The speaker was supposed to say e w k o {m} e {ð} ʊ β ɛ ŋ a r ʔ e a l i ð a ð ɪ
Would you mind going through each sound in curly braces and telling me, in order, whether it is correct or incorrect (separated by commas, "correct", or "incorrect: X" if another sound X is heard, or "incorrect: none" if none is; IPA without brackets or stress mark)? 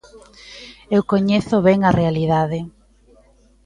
incorrect: ɲ, incorrect: θ